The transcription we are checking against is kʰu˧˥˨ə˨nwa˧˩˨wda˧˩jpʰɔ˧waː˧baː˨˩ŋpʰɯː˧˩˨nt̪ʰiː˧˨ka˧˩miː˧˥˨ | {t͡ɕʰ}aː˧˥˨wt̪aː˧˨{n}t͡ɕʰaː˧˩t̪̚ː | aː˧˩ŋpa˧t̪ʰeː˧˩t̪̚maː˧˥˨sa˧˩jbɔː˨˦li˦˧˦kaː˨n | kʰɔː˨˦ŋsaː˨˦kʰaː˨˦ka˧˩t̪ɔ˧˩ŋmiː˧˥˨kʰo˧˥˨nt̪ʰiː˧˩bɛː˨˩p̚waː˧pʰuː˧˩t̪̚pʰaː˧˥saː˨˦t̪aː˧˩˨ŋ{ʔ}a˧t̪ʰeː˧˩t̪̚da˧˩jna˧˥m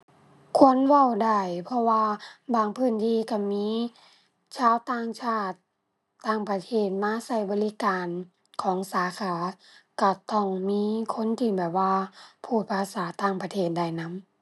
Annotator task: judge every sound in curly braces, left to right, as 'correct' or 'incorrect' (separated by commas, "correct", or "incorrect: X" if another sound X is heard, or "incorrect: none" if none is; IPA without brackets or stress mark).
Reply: correct, incorrect: ŋ, incorrect: p